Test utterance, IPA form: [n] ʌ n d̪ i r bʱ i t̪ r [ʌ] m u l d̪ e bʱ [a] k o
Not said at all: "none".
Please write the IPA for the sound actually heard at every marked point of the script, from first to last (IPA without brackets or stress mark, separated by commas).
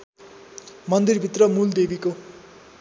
m, ʌ, i